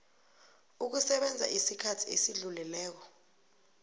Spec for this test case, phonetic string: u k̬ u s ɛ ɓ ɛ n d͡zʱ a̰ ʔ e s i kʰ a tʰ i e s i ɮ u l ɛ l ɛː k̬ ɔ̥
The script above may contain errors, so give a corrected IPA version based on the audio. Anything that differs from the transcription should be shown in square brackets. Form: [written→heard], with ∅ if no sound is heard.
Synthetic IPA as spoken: u k̬ u s ɛ ɓ ɛ n d͡zʱ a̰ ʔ [e→i] s i kʰ a tʰ i e s i ɮ u l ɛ l ɛː k̬ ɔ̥

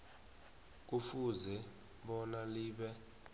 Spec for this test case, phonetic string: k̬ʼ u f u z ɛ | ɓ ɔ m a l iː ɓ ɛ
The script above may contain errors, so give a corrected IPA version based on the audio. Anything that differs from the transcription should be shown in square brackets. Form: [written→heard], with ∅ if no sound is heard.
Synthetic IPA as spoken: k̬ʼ u f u z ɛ | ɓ ɔ [m→n] a l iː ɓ ɛ

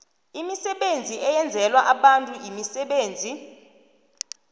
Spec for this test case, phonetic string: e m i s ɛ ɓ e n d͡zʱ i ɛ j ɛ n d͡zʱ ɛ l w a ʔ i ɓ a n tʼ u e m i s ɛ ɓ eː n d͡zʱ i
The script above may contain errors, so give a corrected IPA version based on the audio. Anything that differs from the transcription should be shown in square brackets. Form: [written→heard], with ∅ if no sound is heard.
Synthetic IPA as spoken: [e→i] m i s ɛ ɓ e n d͡zʱ i ɛ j ɛ n d͡zʱ ɛ l w a ʔ [i→a] ɓ a n tʼ u [e→i] m i s ɛ ɓ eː n d͡zʱ i

